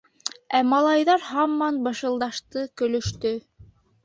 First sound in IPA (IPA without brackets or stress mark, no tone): æ